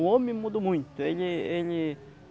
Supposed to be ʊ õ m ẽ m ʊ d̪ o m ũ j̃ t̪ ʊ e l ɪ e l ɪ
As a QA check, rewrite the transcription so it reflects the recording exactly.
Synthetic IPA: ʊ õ m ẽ m u d̪ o m ũ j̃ t̪ ʊ e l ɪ e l ɪ